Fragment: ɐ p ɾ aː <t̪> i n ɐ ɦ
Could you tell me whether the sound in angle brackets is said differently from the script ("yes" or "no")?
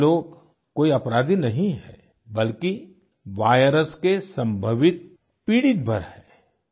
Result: yes